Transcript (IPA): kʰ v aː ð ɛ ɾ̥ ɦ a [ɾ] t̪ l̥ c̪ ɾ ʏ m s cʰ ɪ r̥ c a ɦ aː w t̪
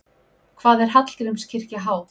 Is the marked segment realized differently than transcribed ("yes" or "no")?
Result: yes